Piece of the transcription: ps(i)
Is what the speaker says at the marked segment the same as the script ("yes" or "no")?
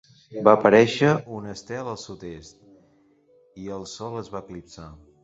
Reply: no